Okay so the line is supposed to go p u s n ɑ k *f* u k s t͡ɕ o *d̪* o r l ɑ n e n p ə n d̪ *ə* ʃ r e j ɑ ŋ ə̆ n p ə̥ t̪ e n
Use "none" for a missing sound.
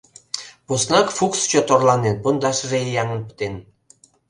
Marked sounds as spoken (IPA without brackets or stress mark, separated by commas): f, t̪, ɑ